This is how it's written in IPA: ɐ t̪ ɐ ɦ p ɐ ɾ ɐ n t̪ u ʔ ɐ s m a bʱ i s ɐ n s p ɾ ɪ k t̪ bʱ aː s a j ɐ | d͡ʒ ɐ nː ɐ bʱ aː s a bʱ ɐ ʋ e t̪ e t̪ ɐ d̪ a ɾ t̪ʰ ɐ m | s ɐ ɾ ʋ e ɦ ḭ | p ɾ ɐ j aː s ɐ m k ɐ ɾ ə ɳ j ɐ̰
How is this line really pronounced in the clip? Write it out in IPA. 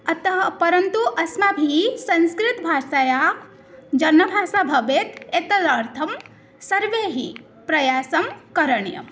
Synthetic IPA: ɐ t̪ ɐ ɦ p ɐ ɾ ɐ n t̪ u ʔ ɐ s m a bʱ i s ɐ n s k ɾ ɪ t̪ bʱ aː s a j a | d͡ʒ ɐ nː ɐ bʱ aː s a bʱ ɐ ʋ e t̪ e t̪ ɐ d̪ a ɾ t̪ʰ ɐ m | s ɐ ɾ ʋ e ɦ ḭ | p ɾ ɐ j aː s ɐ m k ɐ ɾ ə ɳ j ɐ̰